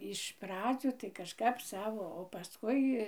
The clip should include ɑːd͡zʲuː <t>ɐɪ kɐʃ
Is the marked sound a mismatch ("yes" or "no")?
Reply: no